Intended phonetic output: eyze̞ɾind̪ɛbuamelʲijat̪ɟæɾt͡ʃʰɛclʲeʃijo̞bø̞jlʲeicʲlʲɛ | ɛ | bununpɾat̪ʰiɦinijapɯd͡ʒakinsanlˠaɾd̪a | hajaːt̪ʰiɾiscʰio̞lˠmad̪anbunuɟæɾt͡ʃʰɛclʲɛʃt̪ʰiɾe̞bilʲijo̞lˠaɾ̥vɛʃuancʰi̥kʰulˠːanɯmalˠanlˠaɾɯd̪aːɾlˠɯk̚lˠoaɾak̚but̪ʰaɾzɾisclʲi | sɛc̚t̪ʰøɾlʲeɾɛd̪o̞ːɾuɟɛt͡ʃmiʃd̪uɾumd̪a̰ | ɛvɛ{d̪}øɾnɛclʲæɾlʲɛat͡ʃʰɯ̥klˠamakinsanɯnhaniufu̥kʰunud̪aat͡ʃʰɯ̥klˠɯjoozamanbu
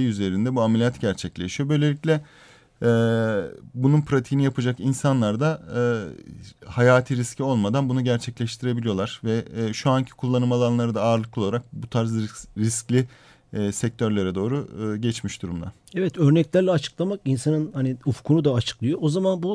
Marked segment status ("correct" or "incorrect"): incorrect